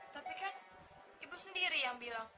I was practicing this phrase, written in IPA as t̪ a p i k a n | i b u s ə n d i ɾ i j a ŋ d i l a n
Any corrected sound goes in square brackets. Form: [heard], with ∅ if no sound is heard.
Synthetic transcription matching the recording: t̪ a p i k a n | i b u s ə n d i ɾ i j a ŋ [b] i l a [ŋ]